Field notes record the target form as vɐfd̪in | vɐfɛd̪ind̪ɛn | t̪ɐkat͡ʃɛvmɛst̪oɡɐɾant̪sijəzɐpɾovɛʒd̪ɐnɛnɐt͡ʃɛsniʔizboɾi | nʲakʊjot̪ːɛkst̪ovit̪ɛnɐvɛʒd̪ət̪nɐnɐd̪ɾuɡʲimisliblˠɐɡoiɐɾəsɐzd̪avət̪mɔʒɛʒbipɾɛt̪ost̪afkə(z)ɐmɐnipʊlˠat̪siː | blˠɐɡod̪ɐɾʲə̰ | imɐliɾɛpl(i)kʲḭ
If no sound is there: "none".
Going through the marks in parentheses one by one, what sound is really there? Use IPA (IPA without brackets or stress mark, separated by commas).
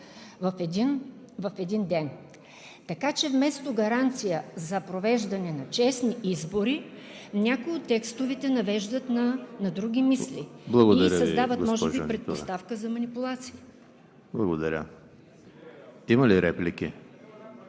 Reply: z, i